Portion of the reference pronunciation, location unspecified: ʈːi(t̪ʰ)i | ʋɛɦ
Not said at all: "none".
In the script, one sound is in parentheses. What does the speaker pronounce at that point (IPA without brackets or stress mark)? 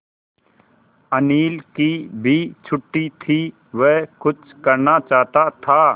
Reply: t̪ʰ